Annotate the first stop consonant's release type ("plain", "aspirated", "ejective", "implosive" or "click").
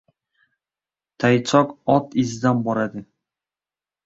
aspirated